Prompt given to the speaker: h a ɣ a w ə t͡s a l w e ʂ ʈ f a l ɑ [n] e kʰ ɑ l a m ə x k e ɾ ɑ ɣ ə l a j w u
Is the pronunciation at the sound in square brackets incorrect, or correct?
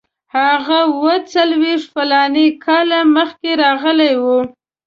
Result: correct